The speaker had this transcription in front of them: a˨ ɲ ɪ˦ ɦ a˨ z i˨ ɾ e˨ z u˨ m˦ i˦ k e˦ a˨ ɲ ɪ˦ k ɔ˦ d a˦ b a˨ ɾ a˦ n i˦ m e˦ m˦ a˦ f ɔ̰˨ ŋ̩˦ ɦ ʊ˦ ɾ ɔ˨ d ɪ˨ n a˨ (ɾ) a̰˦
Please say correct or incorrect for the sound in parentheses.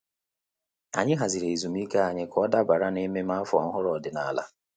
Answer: incorrect